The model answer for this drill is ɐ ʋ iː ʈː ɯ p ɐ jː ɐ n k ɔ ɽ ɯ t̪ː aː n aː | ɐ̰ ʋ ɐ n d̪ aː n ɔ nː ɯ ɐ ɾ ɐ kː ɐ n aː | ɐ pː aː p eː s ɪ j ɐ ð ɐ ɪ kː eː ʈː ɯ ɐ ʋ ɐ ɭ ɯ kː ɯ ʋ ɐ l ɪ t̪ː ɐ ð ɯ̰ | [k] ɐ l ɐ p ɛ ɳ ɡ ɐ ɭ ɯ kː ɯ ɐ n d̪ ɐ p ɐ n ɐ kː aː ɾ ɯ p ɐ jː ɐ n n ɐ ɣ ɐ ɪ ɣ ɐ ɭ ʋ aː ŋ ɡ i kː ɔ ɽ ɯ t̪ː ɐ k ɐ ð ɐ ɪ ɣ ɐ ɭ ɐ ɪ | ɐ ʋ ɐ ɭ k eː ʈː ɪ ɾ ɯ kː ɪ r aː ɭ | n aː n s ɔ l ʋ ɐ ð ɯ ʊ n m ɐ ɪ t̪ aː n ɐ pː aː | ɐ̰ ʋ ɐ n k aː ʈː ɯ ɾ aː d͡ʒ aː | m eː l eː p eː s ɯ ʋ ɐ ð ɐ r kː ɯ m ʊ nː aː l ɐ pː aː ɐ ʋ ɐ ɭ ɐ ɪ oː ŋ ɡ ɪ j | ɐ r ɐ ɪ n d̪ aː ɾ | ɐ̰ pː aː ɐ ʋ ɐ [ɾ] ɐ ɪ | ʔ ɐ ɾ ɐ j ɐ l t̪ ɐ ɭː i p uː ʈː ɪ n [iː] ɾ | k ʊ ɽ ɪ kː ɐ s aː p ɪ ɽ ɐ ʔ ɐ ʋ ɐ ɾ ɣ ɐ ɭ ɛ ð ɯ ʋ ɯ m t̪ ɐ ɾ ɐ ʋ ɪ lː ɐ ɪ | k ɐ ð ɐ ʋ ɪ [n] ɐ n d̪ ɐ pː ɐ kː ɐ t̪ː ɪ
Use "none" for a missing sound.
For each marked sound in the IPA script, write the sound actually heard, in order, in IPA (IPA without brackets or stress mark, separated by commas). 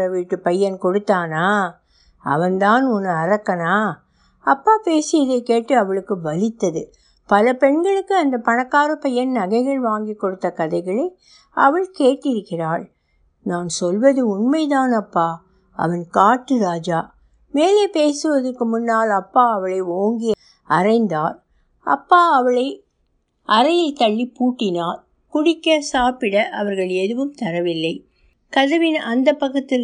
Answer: p, ɭ, aː, n